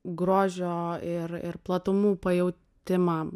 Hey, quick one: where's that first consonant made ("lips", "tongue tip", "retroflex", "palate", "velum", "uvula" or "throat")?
velum